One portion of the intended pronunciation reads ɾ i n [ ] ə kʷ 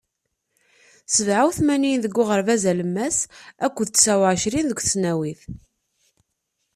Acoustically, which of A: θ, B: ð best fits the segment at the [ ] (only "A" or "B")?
B